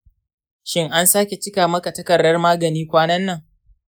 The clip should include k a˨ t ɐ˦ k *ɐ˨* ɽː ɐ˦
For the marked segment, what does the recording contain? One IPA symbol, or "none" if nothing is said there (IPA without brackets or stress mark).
ɐ˨